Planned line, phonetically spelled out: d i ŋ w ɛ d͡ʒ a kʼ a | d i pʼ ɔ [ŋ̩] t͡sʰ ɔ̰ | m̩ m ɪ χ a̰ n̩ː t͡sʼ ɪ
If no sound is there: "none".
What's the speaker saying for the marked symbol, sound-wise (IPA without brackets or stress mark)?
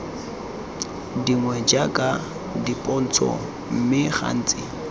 n̩